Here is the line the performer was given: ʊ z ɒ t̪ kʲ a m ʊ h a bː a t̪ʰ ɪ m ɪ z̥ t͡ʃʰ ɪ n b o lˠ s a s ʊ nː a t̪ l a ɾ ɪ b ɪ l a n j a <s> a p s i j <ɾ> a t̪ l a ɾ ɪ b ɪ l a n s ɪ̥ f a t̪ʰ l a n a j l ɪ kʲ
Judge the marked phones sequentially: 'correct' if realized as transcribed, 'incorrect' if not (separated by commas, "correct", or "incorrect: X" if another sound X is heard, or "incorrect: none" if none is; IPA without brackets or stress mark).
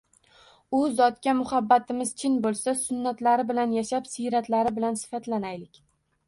incorrect: ʃ, correct